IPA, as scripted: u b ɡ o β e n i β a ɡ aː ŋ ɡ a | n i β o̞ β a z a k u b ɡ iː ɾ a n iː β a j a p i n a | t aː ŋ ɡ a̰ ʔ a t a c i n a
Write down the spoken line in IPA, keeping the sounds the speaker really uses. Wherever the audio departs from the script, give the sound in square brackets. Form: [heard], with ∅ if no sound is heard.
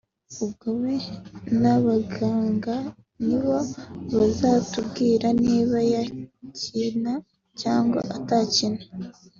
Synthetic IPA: u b ɡ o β e n [a] β a ɡ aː ŋ ɡ a | n i β o̞ β a z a [t] u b ɡ iː ɾ a n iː β a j a [c] i n a | [c] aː ŋ ɡ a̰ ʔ a t a c i n a